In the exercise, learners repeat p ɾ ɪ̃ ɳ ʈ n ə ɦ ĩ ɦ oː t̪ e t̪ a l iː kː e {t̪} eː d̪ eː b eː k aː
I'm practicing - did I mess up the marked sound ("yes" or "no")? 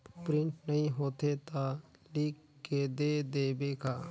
yes